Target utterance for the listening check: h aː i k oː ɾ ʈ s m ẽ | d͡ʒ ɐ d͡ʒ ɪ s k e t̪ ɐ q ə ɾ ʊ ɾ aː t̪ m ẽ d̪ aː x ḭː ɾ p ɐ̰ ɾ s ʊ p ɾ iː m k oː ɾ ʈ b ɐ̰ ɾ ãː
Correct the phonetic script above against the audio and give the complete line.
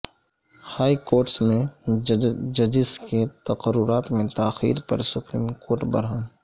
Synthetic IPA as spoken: h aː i k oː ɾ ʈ s m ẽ | d͡ʒ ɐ d͡ʒ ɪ s k e t̪ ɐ q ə ɾ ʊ ɾ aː t̪ m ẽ t̪ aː x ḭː ɾ p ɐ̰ ɾ s ʊ p ɾ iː m k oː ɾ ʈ b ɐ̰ ɾ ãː